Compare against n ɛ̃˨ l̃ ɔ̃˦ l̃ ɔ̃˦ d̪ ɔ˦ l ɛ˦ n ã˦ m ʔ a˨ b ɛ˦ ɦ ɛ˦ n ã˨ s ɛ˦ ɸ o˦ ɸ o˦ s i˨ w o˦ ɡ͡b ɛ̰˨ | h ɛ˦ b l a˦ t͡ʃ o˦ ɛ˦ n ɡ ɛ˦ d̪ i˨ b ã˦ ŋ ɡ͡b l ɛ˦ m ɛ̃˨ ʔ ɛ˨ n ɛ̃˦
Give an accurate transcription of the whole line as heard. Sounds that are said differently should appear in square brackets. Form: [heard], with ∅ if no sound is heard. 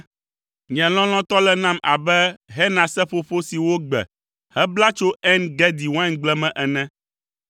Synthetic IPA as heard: [ɲ] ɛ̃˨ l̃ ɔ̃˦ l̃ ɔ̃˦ [t̪] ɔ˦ l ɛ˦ n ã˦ m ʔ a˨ b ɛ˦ ɦ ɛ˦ n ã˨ s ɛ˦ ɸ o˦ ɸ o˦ s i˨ w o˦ ɡ͡b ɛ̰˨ | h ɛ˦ b l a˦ t͡ʃ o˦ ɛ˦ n ɡ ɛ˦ d̪ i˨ [w] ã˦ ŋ ɡ͡b l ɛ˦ m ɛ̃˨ ʔ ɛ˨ n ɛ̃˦